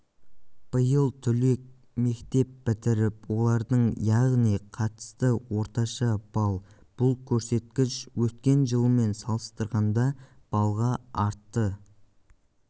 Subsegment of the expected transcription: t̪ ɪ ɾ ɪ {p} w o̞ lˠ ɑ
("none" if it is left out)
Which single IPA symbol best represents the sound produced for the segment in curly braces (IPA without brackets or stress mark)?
p